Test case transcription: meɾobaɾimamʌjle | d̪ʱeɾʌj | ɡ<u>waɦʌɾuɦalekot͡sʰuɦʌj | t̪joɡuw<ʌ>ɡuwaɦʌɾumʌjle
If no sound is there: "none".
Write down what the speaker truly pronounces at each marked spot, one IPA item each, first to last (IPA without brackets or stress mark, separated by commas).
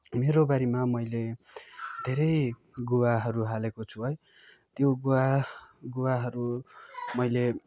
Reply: u, a